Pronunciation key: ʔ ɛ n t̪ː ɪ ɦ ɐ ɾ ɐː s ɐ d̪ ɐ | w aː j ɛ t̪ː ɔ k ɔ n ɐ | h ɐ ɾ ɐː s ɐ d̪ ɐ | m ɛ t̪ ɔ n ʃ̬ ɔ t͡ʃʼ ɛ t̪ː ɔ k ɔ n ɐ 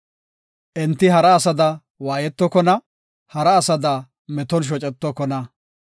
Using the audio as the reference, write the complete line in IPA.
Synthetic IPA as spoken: ʔ ɛ n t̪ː ɪ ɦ ɐ ɾ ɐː s ɐ d̪ ɐ | w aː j ɛ t̪ː ɔ k ɔ n ɐ | h ɐ ɾ ɐː s ɐ d̪ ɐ | m ɛ t̪ ɔ n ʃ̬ ɔ t͡ʃʼ ɛ t̪ː ɔ k ɔ n ɐ

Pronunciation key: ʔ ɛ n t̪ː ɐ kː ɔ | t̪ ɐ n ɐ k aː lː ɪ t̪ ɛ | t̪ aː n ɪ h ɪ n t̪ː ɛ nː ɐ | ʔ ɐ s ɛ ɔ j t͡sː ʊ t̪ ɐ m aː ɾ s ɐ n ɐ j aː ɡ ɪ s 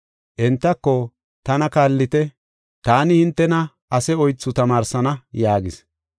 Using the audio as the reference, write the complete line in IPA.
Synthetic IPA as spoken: ʔ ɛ n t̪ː ɐ kː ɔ | t̪ ɐ n ɐ k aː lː ɪ t̪ ɛ | t̪ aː n ɪ h ɪ n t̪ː ɛ n ɐ | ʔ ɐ s ɛ ɔ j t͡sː ʊ t̪ ɐ m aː ɾ s ɐ n ɐ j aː ɡ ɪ s

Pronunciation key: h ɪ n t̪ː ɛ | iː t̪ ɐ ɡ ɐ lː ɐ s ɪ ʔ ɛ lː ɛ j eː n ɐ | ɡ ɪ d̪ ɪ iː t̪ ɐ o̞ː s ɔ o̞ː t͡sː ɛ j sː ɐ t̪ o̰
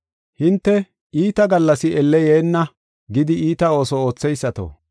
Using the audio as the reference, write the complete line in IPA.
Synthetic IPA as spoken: h ɪ n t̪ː ɛ | iː t̪ ɐ ɡ ɐ lː ɐ s ɪ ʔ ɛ lː ɛ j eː nː ɐ | ɡ ɪ d̪ ɪ iː t̪ ɐ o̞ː s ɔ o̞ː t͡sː ɛ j sː ɐ t̪ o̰

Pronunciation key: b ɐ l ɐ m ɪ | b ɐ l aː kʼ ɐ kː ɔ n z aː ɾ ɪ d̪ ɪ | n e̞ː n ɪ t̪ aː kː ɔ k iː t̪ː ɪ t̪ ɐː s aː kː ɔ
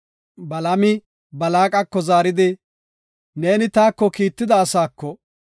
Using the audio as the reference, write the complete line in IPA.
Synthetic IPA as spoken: b ɐ l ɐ m ɪ | b ɐ l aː kʼ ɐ kː ɔ z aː ɾ ɪ d̪ ɪ | n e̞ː n ɪ t̪ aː kː ɔ k iː t̪ː ɪ d̪ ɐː s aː kː ɔ

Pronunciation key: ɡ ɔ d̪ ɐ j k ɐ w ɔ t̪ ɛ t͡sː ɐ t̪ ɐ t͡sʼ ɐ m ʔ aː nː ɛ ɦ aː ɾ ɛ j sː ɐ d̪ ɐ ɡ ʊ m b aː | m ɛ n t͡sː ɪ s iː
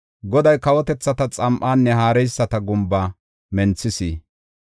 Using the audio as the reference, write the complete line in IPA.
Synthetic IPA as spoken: ɡ ɔ d̪ ɐ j k ɐ w ɔ t̪ ɛ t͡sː ɐ t̪ ɐ t͡sʼ ɐ m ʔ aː nː ɛ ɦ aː ɾ ɛ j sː ɐ t̪ ɐ ɡ ʊ m b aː | m ɛ n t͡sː ɪ s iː

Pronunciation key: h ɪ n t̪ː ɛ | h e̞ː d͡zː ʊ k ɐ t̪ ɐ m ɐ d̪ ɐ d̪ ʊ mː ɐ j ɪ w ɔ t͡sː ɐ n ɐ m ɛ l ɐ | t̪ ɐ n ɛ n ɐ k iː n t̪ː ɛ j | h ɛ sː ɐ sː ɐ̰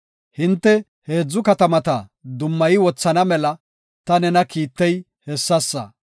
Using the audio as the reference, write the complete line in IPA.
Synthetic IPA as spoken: h ɪ n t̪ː ɛ | h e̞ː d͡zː ʊ k ɐ t̪ ɐ m ɐ t̪ ɐ d̪ ʊ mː ɐ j ɪ w ɔ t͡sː ɐ n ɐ m ɛ l ɐ | t̪ ɐ n ɛ n ɐ k iː t̪ː ɛ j | h ɛ sː ɐ sː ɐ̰

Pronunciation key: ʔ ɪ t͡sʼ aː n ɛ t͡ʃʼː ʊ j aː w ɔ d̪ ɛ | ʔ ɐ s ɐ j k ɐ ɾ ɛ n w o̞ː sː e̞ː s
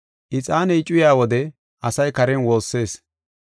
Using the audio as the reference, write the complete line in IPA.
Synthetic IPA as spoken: ʔ ɪ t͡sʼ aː n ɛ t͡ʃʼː ʊ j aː w ɔ d̪ ɛ | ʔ ɐ s ɐ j k ɐ ɾ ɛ n w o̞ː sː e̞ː s

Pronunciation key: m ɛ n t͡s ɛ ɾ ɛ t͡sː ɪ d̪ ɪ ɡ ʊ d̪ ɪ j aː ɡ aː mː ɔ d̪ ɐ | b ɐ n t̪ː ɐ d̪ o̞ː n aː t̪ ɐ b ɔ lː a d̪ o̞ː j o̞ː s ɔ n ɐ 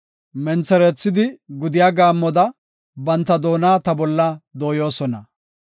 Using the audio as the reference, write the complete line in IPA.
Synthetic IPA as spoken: m ɛ n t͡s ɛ ɾ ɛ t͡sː ɪ d̪ ɪ ɡ ʊ d̪ ɪ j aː ɡ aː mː ɔ d̪ ɐ | b ɐ n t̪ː ɐ d̪ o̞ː n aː t̪ ɐ b ɔ lː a d̪ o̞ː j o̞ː s ɔ n ɐ

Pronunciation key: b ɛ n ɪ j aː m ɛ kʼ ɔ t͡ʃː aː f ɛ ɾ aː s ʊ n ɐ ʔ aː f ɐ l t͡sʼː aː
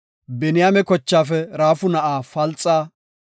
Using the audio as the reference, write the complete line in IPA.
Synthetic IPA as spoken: b ɛ n ɪ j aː m ɛ k ɔ t͡ʃː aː f ɛ ɾ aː f ʊ n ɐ ʔ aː f ɐ l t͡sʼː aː

